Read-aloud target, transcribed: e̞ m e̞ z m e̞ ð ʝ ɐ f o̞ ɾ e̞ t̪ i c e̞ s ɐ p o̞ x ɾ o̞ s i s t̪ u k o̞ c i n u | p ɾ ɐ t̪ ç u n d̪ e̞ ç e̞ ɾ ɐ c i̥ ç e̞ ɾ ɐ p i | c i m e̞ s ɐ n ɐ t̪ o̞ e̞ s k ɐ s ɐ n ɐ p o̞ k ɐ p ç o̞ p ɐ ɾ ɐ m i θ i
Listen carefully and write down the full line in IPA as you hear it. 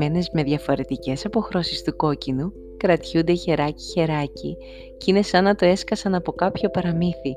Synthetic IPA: e̞ n e̞ z m e̞ ð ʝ ɐ f o̞ ɾ e̞ t̪ i c e̞ s ɐ p o̞ x ɾ o̞ s i s t̪ u k o̞ c i n u | k ɾ ɐ t̪ ç u n d̪ e̞ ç e̞ ɾ ɐ c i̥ ç e̞ ɾ ɐ c i | c i n e̞ s ɐ n ɐ t̪ o̞ e̞ s k ɐ s ɐ n ɐ p o̞ k ɐ p ç o̞ p ɐ ɾ ɐ m i θ i